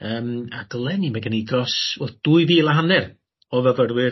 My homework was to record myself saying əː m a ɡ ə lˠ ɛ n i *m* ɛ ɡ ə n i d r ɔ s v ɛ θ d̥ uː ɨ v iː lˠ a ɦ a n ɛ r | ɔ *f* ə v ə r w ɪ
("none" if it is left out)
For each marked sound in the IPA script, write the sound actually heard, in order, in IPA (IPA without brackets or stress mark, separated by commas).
m, v